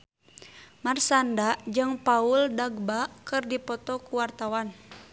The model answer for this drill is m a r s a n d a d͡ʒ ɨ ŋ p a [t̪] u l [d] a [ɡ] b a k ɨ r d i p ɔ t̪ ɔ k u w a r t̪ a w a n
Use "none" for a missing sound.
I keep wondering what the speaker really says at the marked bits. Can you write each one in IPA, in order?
none, d, ɡ

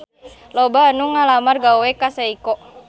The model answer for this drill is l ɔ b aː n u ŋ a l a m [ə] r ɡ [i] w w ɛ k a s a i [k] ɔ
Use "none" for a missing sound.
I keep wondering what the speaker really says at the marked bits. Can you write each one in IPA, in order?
a, a, k

